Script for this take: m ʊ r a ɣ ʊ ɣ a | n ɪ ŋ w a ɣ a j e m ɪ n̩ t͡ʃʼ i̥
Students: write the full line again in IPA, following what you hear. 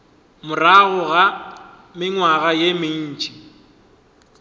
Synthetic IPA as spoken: m ʊ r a ɣ ʊ ɣ a | m ɪ ŋ w a ɣ a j e m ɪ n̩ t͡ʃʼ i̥